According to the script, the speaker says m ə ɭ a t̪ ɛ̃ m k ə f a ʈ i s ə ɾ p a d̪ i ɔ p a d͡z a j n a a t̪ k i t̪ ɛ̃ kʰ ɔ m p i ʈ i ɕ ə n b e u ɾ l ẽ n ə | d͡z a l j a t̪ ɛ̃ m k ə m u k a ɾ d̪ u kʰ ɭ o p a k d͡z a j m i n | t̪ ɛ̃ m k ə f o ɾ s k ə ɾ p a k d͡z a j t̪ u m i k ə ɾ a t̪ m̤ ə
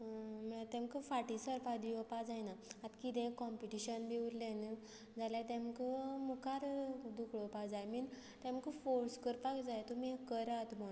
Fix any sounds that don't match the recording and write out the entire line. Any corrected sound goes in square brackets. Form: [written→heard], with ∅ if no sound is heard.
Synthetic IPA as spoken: m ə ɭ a t̪ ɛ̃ m k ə f a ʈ i s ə ɾ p a d̪ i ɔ p a d͡z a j n a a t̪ k i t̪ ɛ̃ [kʰ→k] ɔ m p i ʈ i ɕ ə n b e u ɾ l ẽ n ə | d͡z a l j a t̪ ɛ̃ m k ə m u k a ɾ d̪ u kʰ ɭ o p a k d͡z a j m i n | t̪ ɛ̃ m k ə f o ɾ s k ə ɾ p a k d͡z a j t̪ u m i k ə ɾ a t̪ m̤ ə